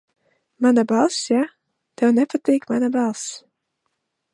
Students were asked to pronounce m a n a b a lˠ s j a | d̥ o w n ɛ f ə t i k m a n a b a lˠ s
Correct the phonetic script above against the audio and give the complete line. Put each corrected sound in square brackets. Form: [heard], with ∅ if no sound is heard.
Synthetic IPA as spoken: m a n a b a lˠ s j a | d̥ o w n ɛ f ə t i k m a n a b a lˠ s